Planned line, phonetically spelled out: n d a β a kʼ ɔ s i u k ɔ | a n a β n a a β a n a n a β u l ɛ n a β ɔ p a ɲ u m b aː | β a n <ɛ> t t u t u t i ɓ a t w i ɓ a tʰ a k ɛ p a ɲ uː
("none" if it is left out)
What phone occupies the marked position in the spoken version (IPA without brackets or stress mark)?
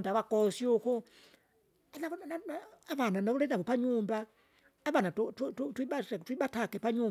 a